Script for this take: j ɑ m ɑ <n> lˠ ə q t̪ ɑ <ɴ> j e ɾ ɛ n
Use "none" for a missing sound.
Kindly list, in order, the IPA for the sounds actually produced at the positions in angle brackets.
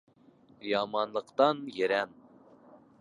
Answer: n, n

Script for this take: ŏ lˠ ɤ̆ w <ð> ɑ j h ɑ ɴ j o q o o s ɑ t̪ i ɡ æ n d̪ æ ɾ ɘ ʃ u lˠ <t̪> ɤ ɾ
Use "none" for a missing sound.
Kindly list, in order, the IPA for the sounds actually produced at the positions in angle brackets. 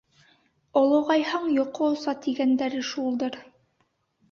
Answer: ʁ, d̪

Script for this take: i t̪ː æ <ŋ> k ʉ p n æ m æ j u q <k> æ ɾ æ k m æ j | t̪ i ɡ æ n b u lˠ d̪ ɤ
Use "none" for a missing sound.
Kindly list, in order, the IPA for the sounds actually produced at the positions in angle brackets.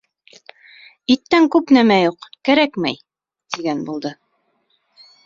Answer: ŋ, k

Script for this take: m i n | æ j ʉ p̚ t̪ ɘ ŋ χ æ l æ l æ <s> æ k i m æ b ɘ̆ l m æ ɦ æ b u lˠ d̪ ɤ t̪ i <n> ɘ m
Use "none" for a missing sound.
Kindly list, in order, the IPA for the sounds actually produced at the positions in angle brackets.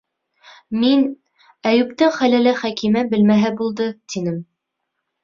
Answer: χ, n

